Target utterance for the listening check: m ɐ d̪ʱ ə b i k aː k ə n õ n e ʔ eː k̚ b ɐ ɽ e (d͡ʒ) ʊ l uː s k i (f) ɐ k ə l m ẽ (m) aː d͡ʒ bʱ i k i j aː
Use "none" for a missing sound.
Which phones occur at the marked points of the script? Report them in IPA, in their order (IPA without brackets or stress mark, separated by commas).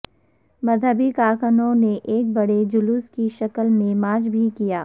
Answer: d͡ʒ, ʃ, m